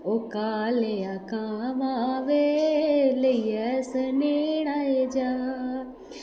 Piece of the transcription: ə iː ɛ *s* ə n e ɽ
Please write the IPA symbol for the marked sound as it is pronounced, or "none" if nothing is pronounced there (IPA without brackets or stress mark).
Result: s